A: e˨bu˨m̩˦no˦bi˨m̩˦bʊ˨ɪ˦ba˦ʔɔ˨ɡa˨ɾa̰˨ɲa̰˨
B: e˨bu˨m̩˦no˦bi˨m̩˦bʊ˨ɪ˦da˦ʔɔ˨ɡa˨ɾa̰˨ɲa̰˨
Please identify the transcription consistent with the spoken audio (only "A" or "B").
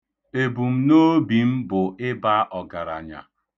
A